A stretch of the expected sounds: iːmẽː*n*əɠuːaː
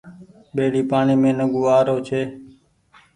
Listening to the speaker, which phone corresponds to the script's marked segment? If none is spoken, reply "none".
n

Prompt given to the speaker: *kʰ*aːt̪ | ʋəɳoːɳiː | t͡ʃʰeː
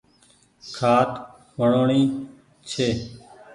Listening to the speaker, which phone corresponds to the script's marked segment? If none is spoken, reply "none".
kʰ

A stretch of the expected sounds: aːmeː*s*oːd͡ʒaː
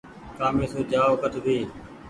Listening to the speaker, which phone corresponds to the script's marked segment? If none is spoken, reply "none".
s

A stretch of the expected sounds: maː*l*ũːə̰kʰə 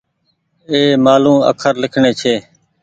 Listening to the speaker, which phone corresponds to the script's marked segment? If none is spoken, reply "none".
l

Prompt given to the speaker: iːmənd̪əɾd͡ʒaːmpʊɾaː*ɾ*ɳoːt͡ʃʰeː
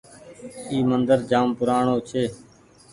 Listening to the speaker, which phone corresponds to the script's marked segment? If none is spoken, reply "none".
none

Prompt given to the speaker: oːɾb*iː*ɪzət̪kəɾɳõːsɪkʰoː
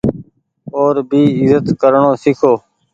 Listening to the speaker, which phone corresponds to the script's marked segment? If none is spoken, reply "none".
iː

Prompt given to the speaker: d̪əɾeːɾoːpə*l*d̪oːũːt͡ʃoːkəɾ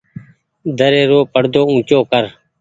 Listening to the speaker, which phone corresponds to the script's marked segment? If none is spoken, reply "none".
ɽ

